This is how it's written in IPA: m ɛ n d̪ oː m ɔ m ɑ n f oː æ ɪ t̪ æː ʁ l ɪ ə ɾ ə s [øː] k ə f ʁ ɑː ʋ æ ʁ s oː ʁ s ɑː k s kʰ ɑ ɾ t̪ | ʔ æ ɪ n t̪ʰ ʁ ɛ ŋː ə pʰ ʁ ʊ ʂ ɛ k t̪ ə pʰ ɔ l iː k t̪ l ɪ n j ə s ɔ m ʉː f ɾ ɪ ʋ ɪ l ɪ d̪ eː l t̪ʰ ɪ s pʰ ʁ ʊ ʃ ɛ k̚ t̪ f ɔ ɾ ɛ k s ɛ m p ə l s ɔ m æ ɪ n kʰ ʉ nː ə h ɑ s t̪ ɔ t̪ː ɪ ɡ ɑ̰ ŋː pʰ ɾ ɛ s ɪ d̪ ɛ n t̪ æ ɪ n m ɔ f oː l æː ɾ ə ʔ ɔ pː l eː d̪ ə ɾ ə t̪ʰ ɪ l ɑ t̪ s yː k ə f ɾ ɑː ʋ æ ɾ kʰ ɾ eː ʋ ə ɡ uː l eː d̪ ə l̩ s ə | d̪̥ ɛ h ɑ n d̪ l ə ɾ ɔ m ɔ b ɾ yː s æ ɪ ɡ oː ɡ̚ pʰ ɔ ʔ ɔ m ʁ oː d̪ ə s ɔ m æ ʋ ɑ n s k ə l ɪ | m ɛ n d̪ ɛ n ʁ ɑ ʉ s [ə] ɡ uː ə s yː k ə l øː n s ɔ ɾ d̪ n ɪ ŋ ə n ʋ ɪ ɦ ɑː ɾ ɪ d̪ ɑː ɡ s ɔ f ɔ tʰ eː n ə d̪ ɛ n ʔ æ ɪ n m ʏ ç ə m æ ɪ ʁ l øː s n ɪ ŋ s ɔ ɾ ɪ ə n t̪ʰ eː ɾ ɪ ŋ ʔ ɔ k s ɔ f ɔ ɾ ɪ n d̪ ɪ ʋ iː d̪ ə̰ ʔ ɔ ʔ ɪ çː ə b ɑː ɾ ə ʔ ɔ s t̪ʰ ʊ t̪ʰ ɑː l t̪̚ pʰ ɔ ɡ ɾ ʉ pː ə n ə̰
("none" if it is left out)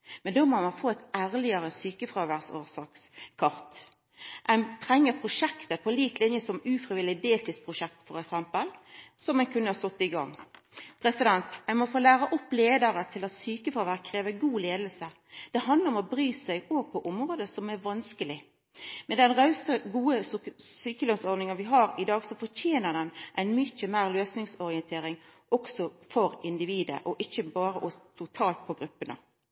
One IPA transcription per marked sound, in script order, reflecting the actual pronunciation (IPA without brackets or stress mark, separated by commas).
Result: yː, ə